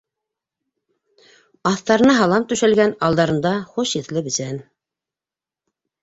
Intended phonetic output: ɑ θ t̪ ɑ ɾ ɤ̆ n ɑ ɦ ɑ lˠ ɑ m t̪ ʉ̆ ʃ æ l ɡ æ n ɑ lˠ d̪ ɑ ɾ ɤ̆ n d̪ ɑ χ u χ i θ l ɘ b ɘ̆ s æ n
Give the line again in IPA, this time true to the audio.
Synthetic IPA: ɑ θ t̪ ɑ ɾ ɤ̆ n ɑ ɦ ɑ lˠ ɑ m t̪ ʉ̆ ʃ æ l ɡ æ n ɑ lˠ d̪ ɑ ɾ ɤ̆ n d̪ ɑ χ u ʃ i θ l ɘ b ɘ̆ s æ n

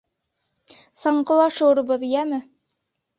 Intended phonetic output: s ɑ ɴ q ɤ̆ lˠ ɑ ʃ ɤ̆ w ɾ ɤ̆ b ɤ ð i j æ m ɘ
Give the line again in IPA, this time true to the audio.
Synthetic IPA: s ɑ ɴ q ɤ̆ lˠ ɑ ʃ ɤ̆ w ɾ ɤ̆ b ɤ ð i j æ m ɘ

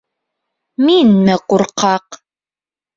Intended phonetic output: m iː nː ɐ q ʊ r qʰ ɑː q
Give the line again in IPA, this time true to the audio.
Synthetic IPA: m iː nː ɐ q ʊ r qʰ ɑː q

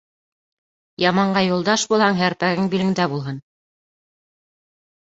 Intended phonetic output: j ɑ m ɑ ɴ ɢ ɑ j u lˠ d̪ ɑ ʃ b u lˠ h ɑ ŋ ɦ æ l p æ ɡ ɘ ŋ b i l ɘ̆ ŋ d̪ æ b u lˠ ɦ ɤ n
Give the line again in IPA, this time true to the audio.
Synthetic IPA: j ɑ m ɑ ɴ ɢ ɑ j u lˠ d̪ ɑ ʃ b u lˠ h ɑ ŋ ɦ æ ɾ p æ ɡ ɘ ŋ b i l ɘ̆ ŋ d̪ æ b u lˠ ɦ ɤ n

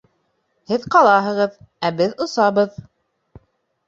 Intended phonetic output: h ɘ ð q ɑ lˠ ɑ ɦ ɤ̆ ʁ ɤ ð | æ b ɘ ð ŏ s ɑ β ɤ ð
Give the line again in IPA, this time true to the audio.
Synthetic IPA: h ɘ ð q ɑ lˠ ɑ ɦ ɤ̆ ʁ ɤ ð | æ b ɘ ð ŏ s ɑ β ɤ ð

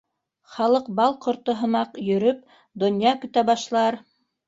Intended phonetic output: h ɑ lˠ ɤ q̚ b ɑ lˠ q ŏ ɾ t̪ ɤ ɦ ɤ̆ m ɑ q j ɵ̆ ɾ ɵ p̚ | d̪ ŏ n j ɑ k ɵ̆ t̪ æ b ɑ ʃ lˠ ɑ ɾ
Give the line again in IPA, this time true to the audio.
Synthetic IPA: χ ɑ lˠ ɤ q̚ b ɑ lˠ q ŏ ɾ t̪ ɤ ɦ ɤ̆ m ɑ q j ɵ̆ ɾ ɵ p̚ | d̪ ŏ n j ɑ k ɵ̆ t̪ æ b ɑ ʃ lˠ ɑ ɾ

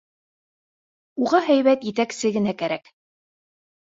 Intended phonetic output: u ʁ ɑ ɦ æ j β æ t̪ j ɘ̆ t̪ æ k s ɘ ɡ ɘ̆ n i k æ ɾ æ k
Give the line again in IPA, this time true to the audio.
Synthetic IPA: u ʁ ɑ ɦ æ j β æ t̪ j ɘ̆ t̪ æ k s ɘ ɡ ɘ̆ n æ k æ ɾ æ k

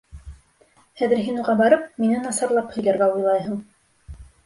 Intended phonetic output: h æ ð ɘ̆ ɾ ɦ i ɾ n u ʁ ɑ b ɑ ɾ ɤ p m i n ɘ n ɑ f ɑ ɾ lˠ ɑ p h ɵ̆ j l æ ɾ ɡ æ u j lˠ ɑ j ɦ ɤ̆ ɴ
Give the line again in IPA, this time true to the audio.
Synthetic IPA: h æ ð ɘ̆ ɾ ɦ i n u ʁ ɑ b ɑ ɾ ɤ p m i n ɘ n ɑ s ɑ ɾ lˠ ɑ p h ɵ̆ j l æ ɾ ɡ æ u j lˠ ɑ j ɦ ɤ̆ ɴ

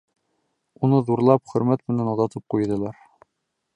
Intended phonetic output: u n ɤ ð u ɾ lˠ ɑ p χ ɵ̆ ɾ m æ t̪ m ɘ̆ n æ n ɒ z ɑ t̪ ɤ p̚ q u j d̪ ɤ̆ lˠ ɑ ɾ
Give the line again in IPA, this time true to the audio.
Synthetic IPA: u n ɤ ð u ɾ lˠ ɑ p χ ɵ̆ ɾ m æ t̪ m ɘ̆ n æ n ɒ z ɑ t̪ ɤ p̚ q u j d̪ ɤ̆ lˠ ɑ ɾ

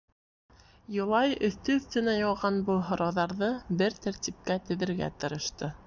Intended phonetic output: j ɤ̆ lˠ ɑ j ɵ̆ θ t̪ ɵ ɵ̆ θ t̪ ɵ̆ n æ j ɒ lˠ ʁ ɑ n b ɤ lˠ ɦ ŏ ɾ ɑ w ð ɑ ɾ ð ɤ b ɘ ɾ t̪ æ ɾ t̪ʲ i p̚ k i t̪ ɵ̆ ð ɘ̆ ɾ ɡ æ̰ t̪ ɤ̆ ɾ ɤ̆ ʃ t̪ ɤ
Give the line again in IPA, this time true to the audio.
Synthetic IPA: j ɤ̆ lˠ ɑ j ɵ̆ θ t̪ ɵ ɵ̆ θ t̪ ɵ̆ n æ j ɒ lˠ ʁ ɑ n b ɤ lˠ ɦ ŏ ɾ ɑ w ð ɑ ɾ ð ɤ b ɘ ɾ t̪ æ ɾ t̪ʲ i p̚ k æ t̪ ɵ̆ ð ɘ̆ ɾ ɡ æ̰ t̪ ɤ̆ ɾ ɤ̆ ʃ t̪ ɤ

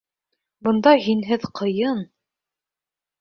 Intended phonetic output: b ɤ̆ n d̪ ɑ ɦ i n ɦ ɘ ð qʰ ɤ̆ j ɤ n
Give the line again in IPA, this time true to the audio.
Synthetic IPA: b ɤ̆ n d̪ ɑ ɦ i n ɦ ɘ ð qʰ ɤ̆ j ɤ n

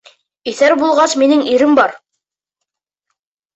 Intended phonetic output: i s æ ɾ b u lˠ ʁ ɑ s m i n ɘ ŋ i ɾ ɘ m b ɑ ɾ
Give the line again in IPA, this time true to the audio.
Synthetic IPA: i θ æ ɾ b u lˠ ʁ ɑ s m i n ɘ ŋ i ɾ ɘ m b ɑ ɾ

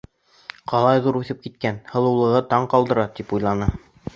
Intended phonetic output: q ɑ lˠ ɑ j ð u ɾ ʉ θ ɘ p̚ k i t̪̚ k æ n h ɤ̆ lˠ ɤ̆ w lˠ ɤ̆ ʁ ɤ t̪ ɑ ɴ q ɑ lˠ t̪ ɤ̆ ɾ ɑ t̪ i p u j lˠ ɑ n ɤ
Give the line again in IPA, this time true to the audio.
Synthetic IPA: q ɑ lˠ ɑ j ð u ɾ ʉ θ ɘ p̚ k i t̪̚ k æ n h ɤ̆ lˠ ɤ̆ w lˠ ɤ̆ ʁ ɤ t̪ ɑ ɴ q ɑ lˠ d̪ ɤ̆ ɾ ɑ t̪ i p u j lˠ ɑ n ɤ

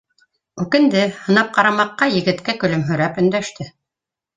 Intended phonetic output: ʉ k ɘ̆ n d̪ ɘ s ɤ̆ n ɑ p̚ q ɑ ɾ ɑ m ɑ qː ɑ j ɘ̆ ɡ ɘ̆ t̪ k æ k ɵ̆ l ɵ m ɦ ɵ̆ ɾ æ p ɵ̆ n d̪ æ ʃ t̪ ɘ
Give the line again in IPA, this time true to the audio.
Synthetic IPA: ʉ k ɘ̆ n d̪ ɘ h ɤ̆ n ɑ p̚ q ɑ ɾ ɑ m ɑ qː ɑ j ɘ̆ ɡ ɘ̆ t̪ k æ k ɵ̆ l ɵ m ɦ ɵ̆ ɾ æ p ɵ̆ n d̪ æ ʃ t̪ ɘ

